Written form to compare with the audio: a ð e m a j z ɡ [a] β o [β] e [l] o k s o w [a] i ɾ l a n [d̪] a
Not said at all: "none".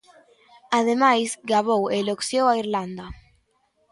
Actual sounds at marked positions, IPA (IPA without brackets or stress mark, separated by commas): a, w, l, a, d̪